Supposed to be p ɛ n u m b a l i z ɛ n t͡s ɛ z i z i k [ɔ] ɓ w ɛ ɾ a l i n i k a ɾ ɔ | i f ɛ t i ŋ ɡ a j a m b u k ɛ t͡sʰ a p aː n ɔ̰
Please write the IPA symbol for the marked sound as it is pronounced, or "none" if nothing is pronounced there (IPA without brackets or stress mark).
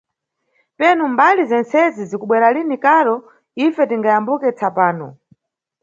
u